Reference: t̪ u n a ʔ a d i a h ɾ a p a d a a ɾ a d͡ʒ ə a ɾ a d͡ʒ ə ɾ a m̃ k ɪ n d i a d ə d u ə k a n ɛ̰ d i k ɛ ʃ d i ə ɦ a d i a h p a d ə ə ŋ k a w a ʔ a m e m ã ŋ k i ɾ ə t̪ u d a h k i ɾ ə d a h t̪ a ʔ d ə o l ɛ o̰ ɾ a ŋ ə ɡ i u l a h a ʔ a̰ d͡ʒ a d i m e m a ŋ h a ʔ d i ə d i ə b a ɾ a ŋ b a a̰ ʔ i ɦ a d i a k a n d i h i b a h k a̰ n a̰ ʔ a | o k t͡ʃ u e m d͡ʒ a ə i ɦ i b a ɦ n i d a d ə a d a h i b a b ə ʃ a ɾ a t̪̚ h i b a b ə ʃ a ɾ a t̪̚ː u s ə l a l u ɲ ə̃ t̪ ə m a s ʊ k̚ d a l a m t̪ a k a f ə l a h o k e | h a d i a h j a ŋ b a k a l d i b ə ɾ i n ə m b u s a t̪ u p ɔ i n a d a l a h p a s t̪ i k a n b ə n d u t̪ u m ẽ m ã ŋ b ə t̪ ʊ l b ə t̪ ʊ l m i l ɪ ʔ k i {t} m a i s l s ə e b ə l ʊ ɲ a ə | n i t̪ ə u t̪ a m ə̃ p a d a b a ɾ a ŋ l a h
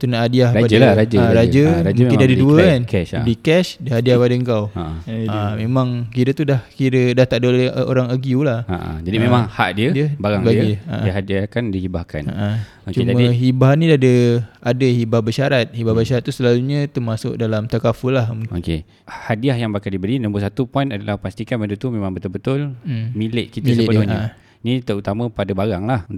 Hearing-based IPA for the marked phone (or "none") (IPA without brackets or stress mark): t